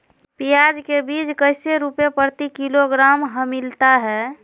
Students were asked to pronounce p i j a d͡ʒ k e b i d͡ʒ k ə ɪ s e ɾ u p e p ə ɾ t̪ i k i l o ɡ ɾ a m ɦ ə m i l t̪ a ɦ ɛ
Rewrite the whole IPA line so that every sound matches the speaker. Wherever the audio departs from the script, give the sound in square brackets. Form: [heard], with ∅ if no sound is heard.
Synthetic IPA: p i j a d͡ʒ k e b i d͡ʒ k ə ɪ s e ɾ u p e p ə ɾ t̪ i k i l o ɡ ɾ a m ɦ ə m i l t̪ a ɦ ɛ